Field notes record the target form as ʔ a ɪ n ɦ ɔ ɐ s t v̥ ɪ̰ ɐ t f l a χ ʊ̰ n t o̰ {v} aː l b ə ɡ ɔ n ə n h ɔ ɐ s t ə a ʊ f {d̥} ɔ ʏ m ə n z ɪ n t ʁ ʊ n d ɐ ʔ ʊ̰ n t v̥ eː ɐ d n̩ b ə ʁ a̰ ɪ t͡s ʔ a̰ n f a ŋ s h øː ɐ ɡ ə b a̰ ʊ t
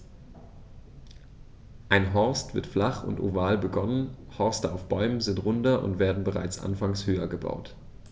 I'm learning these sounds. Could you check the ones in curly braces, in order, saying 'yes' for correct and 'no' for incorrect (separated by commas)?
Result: yes, no